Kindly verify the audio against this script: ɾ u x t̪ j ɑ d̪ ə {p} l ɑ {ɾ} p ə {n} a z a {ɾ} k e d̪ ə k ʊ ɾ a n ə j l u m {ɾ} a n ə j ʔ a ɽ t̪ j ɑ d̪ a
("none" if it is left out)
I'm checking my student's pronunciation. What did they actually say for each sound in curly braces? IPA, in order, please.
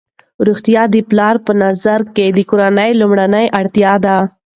p, ɾ, n, ɾ, ɽ

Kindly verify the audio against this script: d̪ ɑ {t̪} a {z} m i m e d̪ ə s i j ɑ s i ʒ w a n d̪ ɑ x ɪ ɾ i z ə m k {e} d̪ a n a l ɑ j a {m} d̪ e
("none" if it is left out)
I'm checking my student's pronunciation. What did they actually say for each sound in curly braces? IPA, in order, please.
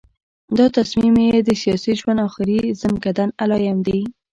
t̪, s, a, m

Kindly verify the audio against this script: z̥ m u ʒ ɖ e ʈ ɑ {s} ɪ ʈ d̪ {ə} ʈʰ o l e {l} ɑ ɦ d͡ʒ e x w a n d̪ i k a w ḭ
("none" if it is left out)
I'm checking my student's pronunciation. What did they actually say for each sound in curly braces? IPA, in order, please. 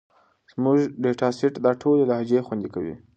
s, ɑ, l

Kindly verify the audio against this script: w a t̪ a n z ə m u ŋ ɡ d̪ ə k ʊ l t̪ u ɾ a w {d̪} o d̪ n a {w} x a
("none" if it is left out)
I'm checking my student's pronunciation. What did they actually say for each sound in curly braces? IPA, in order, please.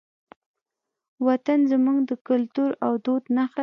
d̪, none

